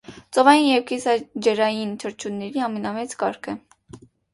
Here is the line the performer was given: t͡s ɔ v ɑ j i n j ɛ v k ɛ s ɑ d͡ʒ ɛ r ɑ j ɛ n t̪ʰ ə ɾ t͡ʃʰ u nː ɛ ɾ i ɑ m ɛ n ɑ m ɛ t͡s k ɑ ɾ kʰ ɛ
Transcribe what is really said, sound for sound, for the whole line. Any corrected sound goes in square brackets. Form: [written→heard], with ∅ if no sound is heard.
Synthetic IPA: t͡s ɔ v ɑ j i n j ɛ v k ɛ s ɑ d͡ʒ ɛ [r→ɾ] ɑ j [ɛ→i] n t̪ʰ ə ɾ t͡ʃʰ u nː ɛ ɾ i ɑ m ɛ n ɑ m ɛ t͡s k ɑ ɾ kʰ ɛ

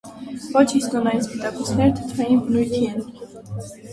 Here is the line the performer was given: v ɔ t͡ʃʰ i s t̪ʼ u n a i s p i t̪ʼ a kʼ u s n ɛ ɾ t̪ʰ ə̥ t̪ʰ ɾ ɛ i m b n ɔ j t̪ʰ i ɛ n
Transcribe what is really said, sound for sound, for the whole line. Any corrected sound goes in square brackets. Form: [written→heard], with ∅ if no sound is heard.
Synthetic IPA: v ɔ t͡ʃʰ i s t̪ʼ [u→ɔ] n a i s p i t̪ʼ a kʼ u s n ɛ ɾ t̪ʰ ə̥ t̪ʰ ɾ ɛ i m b n [ɔ→u] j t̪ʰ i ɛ n

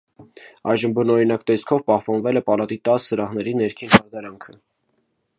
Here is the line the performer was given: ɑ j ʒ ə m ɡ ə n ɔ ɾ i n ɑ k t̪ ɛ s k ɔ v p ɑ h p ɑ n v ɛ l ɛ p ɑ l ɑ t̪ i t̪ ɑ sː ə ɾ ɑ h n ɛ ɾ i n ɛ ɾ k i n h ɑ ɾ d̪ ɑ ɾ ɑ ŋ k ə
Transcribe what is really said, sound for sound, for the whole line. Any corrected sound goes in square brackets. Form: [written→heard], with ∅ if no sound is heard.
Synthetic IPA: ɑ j ʒ ə m [ɡ→b] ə n ɔ ɾ i n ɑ k t̪ ɛ s [k→kʰ] ɔ v p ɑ h p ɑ n v ɛ l ɛ p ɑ l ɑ t̪ i t̪ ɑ sː ə ɾ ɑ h n ɛ ɾ i n ɛ ɾ [k→kʰ] i n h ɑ ɾ d̪ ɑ ɾ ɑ ŋ [k→kʰ] ə

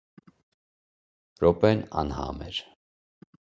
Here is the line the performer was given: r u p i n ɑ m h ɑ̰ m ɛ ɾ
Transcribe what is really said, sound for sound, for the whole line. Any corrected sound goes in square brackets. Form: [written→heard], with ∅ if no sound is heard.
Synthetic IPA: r [u→ɔ] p [i→ɛ] n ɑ [m→n] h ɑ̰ m ɛ ɾ

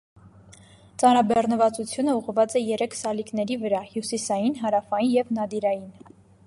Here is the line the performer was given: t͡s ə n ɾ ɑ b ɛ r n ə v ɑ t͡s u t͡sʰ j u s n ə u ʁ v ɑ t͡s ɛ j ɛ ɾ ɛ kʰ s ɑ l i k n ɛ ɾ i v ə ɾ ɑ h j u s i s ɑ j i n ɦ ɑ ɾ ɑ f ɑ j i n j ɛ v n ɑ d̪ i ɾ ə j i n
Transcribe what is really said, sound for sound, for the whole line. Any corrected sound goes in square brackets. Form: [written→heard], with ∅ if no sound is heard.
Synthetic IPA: t͡s [ə→ɑ] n ɾ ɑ b ɛ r n ə v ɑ t͡s u t͡sʰ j u [s→∅] n ə u ʁ v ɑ t͡s ɛ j ɛ ɾ ɛ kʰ s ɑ l i k n ɛ ɾ i v ə ɾ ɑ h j u s i s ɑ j i n ɦ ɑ ɾ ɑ f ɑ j i n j ɛ v n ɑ d̪ i ɾ [ə→ɑ] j i n

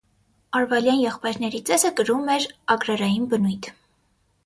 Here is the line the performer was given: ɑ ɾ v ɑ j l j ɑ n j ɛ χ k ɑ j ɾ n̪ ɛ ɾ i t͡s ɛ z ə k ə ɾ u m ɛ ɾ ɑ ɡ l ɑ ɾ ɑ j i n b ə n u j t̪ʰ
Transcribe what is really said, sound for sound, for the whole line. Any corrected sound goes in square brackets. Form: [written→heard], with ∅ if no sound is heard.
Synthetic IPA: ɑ ɾ v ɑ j l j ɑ n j ɛ χ [k→p] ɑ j ɾ n̪ ɛ ɾ i t͡s ɛ z ə k ə ɾ u m ɛ ɾ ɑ ɡ [l→ɾ] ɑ ɾ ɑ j i n b ə n u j t̪ʰ

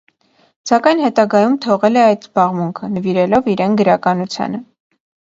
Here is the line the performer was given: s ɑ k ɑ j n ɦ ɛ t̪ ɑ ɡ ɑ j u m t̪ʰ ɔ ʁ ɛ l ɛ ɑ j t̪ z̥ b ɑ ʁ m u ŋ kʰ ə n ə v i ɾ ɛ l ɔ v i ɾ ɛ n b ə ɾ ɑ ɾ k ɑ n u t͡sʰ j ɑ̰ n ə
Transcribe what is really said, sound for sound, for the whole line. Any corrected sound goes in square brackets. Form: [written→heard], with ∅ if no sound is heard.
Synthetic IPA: s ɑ k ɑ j n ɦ ɛ t̪ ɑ ɡ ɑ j u m t̪ʰ ɔ ʁ ɛ l ɛ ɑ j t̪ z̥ b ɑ ʁ m u ŋ kʰ ə n ə v i ɾ ɛ l ɔ v i ɾ ɛ n [b→ɡ] ə ɾ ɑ [ɾ→∅] k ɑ n u t͡sʰ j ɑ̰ n ə

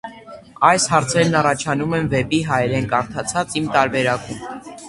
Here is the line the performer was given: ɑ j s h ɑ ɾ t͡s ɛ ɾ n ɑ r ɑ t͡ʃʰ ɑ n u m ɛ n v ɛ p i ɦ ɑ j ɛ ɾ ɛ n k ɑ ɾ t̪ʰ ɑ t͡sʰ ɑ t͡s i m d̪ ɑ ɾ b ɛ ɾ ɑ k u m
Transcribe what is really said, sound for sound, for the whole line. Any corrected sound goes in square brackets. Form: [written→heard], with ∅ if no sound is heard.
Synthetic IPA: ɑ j s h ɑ ɾ [t͡s→t͡sʰ] ɛ ɾ n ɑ r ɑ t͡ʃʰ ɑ n u m ɛ n v ɛ p i ɦ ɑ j ɛ ɾ ɛ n k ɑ ɾ t̪ʰ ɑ t͡sʰ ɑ t͡s i m [d̪→t̪] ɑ ɾ b ɛ ɾ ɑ k u m

